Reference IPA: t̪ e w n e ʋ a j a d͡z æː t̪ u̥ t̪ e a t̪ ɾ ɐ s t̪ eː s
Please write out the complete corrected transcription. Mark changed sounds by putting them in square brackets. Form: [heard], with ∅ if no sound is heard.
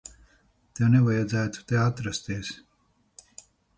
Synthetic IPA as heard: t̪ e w n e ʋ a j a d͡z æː t̪ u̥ t̪ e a t̪ ɾ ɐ s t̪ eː s